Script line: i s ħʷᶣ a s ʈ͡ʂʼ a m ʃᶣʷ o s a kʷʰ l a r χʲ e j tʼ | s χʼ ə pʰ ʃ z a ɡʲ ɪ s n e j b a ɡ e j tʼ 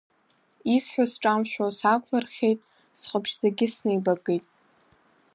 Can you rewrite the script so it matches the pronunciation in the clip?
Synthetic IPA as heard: i s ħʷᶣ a s ʈ͡ʂʼ a m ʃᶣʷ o s a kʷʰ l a r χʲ e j tʼ | s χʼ ə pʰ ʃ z a ɡʲ ɪ s n e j b a ɡ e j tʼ